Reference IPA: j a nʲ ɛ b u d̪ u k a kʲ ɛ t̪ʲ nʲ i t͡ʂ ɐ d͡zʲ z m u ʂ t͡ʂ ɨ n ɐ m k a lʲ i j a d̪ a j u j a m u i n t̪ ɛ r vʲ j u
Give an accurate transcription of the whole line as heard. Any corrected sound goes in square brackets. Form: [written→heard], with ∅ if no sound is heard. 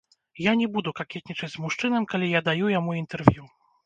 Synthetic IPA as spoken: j a nʲ ɛ b u d̪ u k a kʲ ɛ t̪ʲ nʲ i t͡ʂ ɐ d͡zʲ z m u ʂ t͡ʂ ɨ n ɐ m k a lʲ i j a d̪ a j u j a m u i n t̪ ɛ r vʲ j u